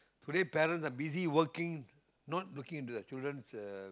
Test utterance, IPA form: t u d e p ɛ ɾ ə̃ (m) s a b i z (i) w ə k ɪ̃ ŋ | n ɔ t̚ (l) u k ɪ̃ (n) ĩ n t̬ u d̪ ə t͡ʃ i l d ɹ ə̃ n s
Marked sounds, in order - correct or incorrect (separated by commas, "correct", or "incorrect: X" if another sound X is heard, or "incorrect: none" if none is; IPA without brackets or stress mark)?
incorrect: n, correct, correct, incorrect: ŋ